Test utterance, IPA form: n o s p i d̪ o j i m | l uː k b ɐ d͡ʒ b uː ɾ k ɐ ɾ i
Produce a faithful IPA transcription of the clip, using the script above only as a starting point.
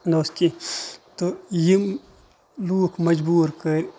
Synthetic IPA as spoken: n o s k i t̪ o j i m | l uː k m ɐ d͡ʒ b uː ɾ k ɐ ɾ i